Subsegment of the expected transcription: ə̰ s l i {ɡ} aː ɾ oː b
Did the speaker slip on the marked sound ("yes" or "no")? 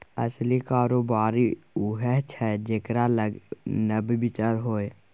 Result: yes